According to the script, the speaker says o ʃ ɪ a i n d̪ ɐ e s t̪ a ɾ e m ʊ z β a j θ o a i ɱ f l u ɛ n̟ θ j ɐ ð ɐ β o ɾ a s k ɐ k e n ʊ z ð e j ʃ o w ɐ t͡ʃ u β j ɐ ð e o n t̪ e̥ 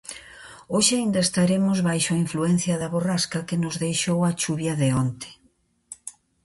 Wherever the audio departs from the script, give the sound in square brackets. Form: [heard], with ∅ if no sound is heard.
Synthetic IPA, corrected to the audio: o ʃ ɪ a i n d̪ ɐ e s t̪ a ɾ e m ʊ z β a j [ʃ] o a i ɱ f l u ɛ n̟ θ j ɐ ð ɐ β o [r] a s k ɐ k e n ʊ z ð e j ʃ o w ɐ t͡ʃ u β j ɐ ð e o n t̪ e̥